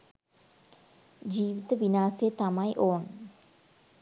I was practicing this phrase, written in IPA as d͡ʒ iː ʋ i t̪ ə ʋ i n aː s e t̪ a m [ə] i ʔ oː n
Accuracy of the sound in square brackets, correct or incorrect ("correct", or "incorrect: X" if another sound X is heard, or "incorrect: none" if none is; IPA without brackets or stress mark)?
incorrect: a